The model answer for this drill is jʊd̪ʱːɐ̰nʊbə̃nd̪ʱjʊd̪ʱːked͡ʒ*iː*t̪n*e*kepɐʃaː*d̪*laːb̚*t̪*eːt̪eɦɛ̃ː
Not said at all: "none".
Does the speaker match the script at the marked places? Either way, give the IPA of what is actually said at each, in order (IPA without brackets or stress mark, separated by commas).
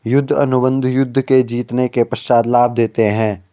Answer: iː, e, d̪, d̪